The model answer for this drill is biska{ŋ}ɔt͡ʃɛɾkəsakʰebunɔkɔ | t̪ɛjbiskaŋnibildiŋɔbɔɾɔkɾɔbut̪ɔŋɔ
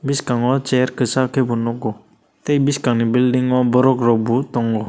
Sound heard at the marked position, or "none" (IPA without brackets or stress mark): ŋ